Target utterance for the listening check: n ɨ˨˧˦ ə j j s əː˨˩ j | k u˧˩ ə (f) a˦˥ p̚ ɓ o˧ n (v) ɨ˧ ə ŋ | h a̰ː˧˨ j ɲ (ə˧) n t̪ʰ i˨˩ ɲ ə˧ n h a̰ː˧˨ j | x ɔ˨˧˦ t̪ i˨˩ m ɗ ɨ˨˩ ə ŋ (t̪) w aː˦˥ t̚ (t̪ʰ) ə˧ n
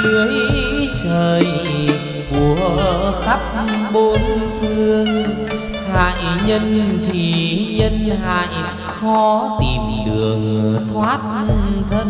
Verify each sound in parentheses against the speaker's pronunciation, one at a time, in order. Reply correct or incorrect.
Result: incorrect: x, incorrect: f, correct, incorrect: t̪ʰ, correct

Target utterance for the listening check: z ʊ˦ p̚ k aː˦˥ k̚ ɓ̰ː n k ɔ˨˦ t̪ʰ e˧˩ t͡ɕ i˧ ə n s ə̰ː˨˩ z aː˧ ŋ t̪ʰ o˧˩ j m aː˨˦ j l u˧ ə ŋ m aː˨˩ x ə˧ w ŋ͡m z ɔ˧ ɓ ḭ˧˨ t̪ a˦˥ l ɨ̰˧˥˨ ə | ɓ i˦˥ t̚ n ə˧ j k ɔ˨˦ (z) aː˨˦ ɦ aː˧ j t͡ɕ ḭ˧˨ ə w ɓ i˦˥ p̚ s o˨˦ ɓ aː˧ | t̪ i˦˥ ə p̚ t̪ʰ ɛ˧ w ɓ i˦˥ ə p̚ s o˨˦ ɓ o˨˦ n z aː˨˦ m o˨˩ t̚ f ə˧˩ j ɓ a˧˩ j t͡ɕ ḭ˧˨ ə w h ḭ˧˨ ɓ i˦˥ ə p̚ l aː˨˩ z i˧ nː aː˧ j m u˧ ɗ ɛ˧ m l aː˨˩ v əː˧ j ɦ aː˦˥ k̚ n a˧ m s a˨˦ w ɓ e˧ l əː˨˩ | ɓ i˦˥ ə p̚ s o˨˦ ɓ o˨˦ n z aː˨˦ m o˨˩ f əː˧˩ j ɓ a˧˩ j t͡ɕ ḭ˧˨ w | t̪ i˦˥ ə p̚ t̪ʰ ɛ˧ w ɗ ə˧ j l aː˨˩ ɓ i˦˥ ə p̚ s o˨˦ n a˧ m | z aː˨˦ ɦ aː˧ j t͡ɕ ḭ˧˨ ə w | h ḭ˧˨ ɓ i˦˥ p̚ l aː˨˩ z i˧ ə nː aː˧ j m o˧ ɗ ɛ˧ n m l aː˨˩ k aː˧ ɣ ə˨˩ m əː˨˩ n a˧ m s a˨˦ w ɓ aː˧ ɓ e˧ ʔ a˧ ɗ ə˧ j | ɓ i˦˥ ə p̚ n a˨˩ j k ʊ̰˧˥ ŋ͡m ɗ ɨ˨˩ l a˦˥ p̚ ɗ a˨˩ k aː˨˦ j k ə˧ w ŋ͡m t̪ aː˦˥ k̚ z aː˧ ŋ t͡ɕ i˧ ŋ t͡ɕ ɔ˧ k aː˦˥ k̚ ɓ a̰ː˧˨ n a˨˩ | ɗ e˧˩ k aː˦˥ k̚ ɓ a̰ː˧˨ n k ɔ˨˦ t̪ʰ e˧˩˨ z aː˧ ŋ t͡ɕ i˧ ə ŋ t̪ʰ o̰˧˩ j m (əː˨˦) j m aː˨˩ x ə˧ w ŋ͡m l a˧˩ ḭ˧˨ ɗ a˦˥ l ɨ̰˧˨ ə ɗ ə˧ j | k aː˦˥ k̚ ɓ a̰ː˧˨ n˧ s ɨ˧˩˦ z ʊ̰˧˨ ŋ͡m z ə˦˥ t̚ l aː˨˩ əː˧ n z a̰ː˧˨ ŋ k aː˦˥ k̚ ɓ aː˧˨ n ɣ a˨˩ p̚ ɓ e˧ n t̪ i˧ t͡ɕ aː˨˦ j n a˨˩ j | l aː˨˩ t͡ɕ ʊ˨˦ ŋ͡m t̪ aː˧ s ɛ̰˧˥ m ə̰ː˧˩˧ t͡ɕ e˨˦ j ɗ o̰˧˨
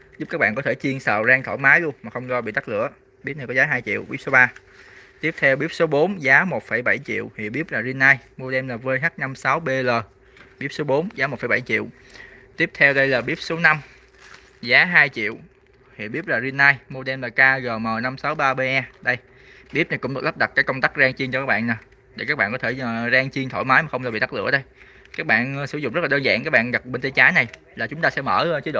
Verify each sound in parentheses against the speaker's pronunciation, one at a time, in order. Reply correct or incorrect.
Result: correct, incorrect: aː˨˦

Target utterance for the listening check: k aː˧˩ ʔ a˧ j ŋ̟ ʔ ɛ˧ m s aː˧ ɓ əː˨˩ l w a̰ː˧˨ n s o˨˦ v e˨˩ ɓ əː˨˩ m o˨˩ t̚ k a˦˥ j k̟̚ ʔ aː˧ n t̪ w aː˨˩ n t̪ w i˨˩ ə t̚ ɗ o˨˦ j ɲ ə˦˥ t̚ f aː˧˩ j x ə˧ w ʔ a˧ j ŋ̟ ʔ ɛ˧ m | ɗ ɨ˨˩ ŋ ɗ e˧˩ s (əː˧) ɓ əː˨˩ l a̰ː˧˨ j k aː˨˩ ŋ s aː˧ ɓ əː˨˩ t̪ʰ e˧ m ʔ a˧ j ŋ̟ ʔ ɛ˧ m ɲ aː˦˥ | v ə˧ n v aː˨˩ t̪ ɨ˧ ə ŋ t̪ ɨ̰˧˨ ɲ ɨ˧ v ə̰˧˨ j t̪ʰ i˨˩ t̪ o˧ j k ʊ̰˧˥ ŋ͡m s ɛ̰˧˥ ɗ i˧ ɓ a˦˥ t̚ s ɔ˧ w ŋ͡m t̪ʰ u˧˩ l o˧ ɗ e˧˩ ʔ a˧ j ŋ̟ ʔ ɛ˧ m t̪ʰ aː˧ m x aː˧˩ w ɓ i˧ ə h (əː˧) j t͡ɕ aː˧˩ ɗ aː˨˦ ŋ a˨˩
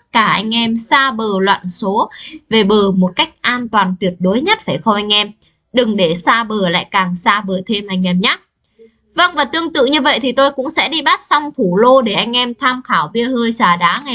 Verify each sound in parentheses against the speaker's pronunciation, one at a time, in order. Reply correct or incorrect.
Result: incorrect: aː˧, correct

